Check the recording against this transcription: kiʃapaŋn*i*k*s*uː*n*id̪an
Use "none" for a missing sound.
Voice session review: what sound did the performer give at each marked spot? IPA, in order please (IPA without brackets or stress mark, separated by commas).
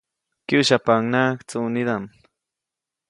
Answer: a, t͡s, n